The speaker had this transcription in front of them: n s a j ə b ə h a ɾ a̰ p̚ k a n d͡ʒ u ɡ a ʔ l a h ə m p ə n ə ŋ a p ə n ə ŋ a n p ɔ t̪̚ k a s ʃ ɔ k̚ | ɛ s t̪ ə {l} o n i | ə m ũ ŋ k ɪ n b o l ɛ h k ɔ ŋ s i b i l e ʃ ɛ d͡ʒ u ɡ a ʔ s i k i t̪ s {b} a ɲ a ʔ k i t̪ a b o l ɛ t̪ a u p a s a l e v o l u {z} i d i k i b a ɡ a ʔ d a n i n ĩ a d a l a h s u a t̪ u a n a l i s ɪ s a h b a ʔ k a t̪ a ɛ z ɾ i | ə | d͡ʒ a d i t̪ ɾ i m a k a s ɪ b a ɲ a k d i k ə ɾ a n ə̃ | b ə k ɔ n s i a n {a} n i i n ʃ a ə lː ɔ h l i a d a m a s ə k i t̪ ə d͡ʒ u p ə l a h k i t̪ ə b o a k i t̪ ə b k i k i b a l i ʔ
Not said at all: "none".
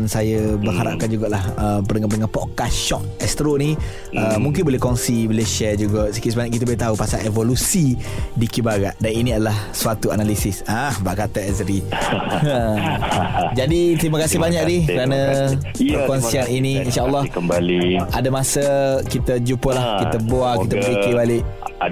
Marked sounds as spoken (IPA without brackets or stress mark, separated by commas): ɾ, b, s, i